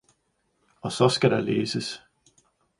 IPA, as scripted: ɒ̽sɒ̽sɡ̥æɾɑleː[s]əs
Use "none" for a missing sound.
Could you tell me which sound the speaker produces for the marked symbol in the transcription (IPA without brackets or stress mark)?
s